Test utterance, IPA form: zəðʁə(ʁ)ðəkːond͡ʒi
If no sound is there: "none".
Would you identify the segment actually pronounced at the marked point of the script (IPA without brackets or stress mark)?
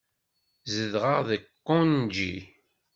ʁ